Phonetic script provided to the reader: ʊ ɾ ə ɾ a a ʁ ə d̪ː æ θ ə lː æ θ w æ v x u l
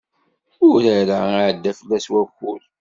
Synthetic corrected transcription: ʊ ɾ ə ɾ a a ʕ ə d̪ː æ f ə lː æ s w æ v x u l